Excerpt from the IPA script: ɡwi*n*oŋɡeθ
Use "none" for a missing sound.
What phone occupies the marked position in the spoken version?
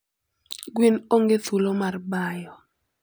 n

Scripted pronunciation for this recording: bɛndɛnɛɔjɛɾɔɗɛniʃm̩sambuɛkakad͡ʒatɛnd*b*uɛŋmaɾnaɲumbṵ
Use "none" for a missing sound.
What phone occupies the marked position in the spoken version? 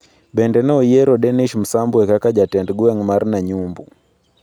ɡ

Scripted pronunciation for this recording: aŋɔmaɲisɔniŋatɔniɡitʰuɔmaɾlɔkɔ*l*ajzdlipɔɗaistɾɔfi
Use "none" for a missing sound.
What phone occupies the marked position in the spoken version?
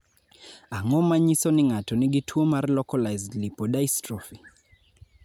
l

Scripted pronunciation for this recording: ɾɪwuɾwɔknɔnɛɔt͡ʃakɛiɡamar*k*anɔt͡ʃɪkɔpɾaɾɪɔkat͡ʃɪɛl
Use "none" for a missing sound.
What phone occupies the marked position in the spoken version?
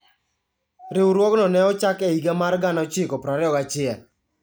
ɡ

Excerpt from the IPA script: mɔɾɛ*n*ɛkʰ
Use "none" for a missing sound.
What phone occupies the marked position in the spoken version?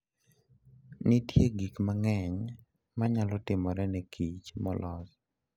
n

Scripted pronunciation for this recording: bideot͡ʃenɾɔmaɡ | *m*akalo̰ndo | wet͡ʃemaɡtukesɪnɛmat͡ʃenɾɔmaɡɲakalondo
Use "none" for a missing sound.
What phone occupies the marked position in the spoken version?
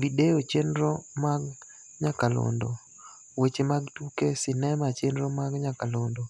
ɲ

